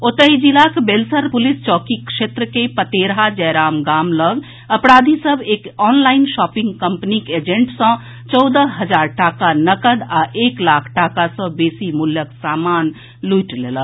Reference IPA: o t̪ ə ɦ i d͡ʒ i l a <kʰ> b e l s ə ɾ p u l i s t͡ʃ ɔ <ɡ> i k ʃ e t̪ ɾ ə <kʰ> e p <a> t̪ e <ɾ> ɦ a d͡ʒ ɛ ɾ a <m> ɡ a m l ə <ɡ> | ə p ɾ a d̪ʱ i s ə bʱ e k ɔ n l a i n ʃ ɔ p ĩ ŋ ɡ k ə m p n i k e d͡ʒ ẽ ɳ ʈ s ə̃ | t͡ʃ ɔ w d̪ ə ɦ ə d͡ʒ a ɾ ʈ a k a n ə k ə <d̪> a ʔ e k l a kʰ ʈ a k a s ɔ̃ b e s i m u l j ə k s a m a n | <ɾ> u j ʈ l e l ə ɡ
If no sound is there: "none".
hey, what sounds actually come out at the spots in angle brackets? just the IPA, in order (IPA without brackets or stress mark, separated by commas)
k, k, k, ə, ɾ, m, ɡ, d̪, l